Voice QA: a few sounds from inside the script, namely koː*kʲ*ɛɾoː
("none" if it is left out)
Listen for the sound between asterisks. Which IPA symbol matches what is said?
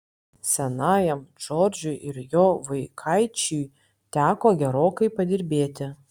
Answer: ɡʲ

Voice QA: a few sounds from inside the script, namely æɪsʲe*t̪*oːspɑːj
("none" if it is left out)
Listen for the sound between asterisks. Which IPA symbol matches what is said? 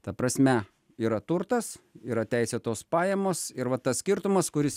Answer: t̪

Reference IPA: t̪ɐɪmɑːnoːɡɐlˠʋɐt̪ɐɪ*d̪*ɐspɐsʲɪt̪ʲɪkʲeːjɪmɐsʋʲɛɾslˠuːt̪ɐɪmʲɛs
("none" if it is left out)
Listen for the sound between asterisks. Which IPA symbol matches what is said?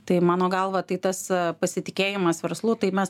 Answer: t̪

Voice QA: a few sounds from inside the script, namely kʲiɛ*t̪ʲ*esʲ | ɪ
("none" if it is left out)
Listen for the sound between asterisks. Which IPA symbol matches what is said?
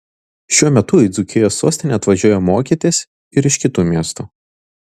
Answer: t̪ʲ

